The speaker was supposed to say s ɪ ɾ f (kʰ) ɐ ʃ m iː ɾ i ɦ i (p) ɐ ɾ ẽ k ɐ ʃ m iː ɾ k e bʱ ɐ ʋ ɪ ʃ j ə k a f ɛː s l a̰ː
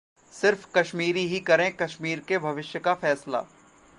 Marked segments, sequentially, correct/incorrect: incorrect, incorrect

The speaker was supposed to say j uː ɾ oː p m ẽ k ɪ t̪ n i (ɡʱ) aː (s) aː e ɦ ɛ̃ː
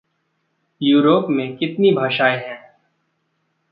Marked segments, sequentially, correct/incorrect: incorrect, incorrect

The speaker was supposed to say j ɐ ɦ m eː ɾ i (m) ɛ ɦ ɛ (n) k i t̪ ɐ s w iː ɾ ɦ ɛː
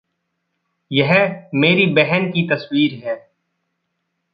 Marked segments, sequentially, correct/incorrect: incorrect, correct

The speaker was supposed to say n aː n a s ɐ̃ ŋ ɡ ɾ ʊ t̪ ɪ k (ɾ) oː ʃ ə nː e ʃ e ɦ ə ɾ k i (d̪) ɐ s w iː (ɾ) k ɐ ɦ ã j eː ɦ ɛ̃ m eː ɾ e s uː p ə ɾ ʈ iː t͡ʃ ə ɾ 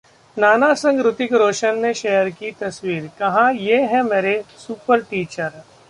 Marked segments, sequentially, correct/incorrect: correct, incorrect, correct

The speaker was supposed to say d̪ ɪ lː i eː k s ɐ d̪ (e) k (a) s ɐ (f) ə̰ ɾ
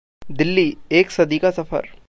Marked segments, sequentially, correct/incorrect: incorrect, correct, correct

